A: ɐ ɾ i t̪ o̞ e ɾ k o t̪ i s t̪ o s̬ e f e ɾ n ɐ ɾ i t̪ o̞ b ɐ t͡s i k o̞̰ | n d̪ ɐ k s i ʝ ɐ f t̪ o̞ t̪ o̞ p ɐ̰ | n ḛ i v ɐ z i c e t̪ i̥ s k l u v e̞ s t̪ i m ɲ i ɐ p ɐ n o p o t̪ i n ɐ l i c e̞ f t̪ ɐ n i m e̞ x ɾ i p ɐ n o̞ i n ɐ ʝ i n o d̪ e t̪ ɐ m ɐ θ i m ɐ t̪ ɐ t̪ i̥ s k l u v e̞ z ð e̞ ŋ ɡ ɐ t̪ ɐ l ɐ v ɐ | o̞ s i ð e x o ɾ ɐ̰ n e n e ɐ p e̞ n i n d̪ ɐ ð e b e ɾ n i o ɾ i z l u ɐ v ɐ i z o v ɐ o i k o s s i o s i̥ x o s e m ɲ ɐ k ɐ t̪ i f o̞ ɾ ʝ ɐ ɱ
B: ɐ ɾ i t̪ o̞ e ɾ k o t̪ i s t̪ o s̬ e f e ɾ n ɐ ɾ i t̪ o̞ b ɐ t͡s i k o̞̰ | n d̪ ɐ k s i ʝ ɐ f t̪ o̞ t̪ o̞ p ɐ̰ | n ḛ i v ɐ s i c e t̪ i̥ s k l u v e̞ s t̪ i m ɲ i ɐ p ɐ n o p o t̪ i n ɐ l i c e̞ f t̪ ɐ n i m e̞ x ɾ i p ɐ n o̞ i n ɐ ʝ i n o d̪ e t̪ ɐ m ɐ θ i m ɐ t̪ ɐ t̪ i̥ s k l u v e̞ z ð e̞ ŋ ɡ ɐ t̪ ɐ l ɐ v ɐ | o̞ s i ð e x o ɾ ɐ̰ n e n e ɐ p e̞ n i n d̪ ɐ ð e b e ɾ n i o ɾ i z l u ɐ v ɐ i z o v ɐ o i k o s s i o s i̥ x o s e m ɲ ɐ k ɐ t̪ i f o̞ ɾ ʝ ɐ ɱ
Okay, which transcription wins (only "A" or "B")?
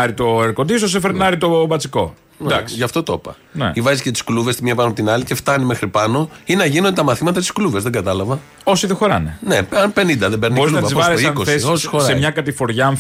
A